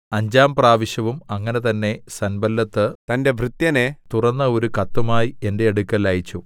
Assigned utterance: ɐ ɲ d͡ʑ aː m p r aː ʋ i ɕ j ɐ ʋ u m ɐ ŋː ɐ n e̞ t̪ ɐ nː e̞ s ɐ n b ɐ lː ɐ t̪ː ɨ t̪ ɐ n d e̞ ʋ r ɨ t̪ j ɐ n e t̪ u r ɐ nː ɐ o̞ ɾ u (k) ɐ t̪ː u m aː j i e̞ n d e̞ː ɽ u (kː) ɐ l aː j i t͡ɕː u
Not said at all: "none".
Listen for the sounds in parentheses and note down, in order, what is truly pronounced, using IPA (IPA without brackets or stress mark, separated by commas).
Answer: k, kː